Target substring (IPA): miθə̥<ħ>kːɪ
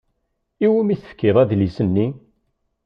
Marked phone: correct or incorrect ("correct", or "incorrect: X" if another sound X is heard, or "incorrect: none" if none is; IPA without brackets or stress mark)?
incorrect: f